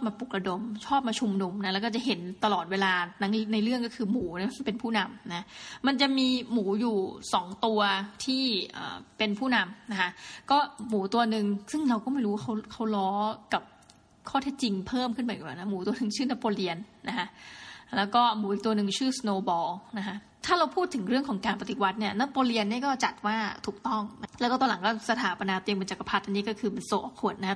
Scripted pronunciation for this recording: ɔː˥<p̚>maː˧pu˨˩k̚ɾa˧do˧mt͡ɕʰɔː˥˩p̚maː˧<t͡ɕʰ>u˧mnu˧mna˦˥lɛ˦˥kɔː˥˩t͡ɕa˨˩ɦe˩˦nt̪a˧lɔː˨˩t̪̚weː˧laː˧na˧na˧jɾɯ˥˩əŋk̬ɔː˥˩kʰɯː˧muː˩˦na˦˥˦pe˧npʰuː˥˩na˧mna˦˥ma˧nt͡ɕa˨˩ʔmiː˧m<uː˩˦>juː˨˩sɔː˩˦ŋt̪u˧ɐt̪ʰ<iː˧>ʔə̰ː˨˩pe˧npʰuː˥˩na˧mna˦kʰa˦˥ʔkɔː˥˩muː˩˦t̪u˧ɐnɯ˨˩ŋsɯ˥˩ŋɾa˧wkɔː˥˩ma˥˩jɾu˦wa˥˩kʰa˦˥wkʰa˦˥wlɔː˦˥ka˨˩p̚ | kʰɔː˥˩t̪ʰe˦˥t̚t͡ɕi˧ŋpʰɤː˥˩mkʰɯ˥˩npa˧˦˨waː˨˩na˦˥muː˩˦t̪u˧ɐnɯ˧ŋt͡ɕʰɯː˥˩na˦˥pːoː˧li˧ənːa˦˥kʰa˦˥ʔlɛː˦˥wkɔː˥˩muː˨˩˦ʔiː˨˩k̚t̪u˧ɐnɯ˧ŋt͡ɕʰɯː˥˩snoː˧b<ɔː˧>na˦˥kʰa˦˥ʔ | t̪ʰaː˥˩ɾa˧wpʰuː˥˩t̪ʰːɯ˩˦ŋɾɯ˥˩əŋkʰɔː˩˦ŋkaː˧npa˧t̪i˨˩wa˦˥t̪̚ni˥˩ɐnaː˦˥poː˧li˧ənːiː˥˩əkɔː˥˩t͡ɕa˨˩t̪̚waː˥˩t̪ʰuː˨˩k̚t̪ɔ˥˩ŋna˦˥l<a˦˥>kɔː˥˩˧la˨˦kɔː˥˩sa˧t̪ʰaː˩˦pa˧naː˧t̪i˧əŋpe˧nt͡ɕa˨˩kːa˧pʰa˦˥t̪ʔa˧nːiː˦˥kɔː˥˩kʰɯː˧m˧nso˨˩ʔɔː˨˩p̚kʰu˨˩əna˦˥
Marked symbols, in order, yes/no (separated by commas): yes, yes, yes, no, yes, no